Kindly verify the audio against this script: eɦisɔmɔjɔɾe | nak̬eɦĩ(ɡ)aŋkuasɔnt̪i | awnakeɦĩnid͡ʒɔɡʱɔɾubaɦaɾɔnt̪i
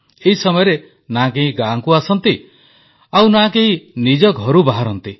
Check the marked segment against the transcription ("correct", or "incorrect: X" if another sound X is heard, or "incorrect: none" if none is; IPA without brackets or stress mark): correct